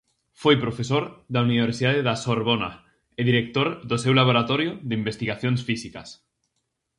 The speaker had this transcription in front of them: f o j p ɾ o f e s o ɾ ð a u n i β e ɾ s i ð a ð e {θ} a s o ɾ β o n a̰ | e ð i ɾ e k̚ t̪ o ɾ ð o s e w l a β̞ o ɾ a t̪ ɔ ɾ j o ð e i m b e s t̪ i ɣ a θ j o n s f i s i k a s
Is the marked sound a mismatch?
yes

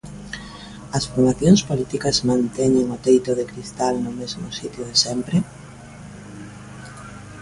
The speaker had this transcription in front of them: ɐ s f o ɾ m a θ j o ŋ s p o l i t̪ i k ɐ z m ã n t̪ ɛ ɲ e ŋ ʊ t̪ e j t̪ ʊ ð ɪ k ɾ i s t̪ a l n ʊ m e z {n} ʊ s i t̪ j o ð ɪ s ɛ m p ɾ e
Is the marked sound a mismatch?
yes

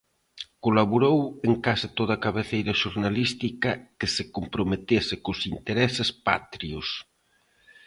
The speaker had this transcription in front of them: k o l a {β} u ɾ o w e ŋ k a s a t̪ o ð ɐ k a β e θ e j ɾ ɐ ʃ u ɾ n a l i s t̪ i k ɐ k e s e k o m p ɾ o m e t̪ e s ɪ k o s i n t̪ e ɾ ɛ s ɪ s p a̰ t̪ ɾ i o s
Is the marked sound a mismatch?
no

